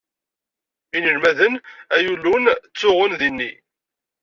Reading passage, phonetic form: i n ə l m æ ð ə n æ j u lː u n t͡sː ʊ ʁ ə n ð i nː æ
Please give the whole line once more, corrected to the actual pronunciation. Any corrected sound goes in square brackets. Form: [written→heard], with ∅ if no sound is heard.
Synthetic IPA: i n ə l m æ ð ə n æ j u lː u n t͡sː ʊ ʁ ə n ð i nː [æ→i]